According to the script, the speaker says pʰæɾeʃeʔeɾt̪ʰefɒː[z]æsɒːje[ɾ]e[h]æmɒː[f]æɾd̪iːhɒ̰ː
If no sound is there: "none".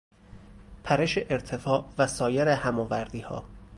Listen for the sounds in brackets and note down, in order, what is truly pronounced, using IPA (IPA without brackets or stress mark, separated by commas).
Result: v, ɾ, h, v